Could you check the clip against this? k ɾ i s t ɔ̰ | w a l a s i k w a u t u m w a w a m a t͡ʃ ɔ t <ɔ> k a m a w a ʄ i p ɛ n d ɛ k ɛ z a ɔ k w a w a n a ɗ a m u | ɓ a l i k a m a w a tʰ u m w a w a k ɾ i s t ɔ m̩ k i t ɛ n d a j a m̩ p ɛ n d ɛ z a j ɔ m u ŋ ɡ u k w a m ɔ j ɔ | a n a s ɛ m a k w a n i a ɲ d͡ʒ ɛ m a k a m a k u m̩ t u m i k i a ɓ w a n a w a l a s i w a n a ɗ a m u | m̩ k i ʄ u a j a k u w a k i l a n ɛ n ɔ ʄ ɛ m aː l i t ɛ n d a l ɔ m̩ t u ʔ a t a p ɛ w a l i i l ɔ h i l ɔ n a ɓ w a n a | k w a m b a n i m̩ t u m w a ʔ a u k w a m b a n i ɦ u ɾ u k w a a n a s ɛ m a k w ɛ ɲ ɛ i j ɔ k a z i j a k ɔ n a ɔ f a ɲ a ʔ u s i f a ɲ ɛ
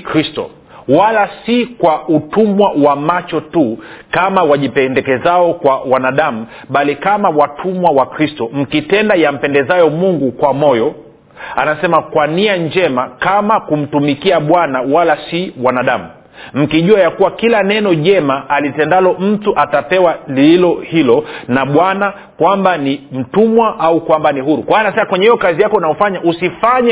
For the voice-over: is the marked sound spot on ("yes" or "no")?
no